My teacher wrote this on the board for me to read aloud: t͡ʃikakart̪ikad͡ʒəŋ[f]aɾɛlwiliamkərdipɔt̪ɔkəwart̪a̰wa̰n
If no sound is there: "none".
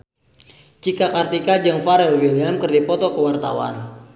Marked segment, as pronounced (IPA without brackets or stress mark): f